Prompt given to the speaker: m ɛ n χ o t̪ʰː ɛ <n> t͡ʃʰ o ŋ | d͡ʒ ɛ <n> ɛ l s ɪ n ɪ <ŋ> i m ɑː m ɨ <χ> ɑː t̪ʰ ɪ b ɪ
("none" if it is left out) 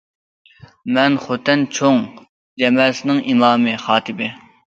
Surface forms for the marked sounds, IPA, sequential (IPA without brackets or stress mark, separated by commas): n, m, ŋ, χ